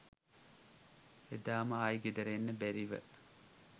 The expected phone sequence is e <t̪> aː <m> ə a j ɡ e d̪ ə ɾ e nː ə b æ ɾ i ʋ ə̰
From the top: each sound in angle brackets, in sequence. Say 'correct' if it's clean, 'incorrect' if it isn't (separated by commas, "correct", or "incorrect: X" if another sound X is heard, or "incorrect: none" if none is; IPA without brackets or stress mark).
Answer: incorrect: d̪, correct